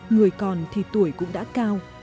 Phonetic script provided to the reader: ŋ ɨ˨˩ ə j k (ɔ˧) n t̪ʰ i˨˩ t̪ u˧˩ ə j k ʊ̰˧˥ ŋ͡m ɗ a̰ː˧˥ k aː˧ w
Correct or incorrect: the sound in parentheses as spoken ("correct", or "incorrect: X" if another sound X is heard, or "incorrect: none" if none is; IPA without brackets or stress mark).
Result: incorrect: ɔ˨˩